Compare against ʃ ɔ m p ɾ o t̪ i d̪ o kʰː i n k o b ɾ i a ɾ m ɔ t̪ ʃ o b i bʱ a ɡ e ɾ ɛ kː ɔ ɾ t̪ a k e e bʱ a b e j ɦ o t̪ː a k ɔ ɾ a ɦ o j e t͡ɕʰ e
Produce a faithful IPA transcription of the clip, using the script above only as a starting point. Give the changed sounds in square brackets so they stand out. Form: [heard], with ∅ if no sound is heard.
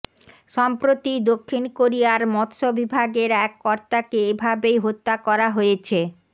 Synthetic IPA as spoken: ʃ ɔ m p ɾ o t̪ i d̪ o kʰː i n k o [∅] ɾ i a ɾ m ɔ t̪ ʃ o b i bʱ a ɡ e ɾ ɛ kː ɔ ɾ t̪ a k e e bʱ a b e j ɦ o t̪ː a k ɔ ɾ a ɦ o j e t͡ɕʰ e